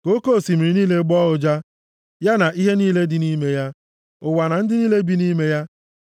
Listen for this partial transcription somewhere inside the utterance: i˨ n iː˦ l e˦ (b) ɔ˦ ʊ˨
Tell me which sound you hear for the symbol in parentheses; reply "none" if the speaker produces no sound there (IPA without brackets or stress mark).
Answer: ɡ͡b